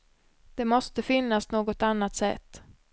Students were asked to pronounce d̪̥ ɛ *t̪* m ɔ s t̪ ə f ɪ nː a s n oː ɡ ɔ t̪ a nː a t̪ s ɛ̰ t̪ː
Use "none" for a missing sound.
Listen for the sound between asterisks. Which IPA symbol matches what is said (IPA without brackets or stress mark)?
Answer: none